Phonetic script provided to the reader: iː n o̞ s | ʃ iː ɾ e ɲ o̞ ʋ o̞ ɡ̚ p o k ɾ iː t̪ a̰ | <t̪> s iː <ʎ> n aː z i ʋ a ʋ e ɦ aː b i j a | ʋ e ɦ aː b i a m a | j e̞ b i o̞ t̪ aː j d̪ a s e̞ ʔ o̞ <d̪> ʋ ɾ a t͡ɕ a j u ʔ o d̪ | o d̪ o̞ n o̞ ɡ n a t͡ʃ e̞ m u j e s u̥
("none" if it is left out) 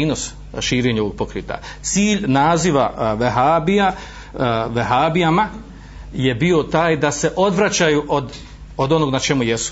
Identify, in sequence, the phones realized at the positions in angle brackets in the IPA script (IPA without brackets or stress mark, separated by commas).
t̪, ʎ, d̪